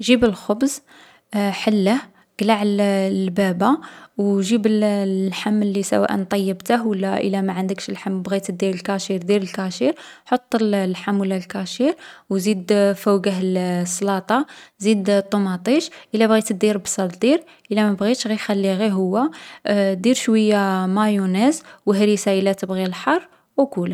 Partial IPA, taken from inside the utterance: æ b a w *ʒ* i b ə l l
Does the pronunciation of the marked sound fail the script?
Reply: no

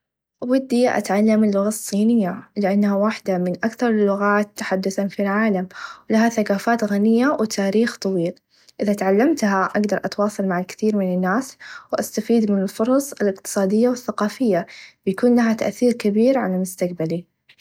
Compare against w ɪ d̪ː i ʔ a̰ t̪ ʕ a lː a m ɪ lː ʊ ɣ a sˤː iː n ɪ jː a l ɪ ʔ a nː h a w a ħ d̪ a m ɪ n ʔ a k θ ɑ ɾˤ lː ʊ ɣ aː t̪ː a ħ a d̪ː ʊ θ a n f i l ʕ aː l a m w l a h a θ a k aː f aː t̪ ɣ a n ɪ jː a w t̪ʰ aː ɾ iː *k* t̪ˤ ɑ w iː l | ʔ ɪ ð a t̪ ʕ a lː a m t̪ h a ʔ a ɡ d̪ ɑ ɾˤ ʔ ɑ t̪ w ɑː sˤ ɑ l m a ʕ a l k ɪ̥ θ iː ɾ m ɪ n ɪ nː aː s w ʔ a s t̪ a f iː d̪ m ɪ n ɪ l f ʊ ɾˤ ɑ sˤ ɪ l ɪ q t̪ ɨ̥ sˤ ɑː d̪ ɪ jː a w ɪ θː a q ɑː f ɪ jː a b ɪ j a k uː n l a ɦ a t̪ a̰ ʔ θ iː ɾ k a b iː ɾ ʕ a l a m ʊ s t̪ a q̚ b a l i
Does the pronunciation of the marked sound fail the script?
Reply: yes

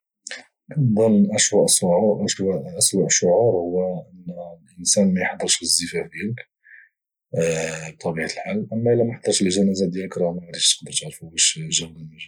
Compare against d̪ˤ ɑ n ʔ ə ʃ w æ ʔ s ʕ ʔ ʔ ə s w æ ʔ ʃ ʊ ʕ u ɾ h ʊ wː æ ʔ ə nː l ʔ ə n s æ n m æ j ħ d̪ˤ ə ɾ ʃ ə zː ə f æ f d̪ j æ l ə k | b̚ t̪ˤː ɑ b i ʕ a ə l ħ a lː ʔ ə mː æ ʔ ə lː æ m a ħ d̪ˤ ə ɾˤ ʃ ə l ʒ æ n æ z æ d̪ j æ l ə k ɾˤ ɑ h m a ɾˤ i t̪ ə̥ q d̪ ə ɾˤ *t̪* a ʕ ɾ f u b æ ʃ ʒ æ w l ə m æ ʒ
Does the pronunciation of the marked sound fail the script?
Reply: no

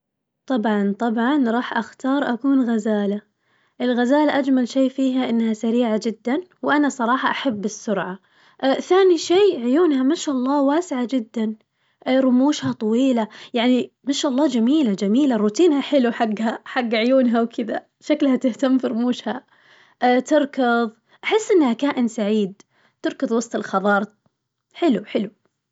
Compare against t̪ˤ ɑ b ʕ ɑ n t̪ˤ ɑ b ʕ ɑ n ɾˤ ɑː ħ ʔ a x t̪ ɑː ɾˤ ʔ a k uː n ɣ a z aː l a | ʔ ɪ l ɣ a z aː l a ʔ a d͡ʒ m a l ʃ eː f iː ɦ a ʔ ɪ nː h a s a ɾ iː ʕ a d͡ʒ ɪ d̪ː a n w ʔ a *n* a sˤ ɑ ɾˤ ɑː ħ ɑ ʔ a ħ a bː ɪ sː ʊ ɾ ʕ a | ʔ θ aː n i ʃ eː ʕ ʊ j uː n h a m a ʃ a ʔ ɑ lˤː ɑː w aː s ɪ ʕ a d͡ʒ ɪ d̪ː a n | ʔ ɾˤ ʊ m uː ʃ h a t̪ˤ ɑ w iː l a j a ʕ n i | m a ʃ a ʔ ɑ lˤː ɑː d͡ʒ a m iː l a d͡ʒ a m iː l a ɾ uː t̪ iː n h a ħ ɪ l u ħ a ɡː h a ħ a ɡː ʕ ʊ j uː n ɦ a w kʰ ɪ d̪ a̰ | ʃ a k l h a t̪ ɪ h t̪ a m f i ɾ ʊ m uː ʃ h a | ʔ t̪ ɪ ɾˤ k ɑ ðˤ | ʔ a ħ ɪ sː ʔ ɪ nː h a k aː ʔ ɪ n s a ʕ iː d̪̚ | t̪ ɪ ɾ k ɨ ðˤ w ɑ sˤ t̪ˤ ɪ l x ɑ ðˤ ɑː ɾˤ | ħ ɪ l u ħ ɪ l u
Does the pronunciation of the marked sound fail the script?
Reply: no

